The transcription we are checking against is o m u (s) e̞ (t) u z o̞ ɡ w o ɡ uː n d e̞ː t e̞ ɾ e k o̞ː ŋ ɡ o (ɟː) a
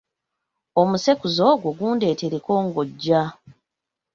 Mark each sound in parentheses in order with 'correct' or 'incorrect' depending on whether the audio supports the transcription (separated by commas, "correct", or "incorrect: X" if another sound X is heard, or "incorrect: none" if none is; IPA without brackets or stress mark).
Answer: correct, incorrect: k, correct